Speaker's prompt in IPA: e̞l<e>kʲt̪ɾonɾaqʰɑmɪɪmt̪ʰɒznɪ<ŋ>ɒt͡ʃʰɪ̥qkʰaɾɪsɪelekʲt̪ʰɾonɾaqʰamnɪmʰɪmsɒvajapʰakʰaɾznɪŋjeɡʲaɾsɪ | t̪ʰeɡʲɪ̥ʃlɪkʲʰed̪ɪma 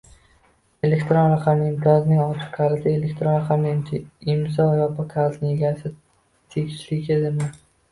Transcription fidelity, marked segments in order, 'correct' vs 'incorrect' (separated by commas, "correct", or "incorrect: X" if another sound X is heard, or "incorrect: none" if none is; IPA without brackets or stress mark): correct, correct